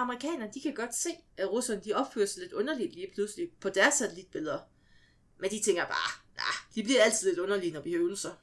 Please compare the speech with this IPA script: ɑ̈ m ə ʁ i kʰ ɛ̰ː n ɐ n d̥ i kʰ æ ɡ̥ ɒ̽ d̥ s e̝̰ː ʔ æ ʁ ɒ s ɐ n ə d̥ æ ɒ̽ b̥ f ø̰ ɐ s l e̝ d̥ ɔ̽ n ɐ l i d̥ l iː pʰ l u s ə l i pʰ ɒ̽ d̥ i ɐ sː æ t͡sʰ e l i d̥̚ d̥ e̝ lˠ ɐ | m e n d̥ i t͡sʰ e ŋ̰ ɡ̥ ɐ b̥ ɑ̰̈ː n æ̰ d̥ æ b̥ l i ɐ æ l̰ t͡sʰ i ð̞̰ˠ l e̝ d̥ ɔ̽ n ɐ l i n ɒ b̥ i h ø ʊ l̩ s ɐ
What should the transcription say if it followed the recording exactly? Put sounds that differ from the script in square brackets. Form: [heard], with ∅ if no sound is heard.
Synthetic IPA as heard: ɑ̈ m ə ʁ i kʰ ɛ̰ː n ɐ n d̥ i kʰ æ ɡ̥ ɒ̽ d̥ s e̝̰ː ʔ æ ʁ [u] s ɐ n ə d̥ [i] ɒ̽ b̥ f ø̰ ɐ s l e̝ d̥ ɔ̽ n ɐ l i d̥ l iː pʰ l u s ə l i pʰ ɒ̽ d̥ [æ] ɐ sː æ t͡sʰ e l i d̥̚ [b̥] e̝ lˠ ɐ | m e n d̥ i t͡sʰ e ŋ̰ ɡ̥ ɐ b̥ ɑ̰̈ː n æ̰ d̥ [i] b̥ l i ɐ æ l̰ t͡sʰ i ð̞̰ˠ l e̝ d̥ ɔ̽ n ɐ l i n ɒ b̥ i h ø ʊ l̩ s ɐ